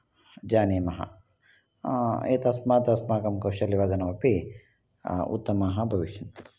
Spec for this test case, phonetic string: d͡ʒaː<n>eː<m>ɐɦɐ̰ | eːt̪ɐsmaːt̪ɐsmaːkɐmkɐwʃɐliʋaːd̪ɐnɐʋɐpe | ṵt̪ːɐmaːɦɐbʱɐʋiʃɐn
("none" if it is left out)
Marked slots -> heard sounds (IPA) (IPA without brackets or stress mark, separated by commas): n, m